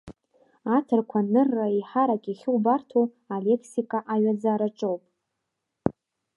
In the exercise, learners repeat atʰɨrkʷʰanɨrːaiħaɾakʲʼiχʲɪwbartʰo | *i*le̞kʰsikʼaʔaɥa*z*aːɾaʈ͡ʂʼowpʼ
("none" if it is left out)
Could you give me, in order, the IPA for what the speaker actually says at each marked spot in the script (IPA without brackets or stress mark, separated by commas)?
a, d͡z